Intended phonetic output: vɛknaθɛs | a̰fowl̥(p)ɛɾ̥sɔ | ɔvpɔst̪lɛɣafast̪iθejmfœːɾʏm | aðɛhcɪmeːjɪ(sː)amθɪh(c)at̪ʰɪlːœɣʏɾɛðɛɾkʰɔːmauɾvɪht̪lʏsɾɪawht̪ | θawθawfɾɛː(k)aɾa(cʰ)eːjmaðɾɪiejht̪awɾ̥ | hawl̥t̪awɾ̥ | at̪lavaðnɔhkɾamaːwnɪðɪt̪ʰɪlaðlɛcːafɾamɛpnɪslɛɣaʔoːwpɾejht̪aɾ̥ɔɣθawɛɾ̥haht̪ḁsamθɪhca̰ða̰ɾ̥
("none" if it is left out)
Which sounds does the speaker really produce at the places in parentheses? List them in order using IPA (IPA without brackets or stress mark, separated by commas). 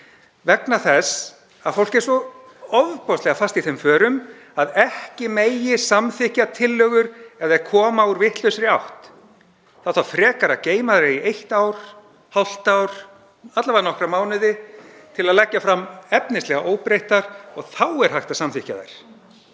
c, s, c, k, c